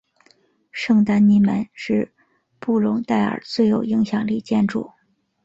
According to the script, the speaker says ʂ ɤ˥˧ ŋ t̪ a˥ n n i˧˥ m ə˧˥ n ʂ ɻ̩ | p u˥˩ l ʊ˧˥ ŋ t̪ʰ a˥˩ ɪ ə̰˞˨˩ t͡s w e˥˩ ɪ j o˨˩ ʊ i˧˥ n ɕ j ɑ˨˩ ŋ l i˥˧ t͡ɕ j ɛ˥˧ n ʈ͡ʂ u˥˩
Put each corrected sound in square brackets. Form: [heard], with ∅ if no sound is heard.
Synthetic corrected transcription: ʂ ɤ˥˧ ŋ t̪ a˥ n n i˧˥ m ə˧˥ n ʂ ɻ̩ | p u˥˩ l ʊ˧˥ ŋ [t̪] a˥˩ ɪ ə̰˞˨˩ t͡s w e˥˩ ɪ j o˨˩ ʊ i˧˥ [ŋ] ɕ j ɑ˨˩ ŋ l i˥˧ t͡ɕ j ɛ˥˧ n ʈ͡ʂ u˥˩